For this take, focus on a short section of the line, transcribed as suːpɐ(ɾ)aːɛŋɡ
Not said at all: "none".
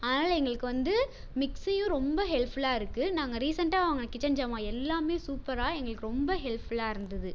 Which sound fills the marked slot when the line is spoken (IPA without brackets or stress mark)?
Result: ɾ